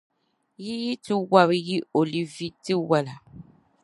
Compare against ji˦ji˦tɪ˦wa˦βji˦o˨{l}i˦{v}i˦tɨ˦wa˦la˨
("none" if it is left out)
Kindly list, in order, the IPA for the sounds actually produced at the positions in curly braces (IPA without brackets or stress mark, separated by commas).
l, v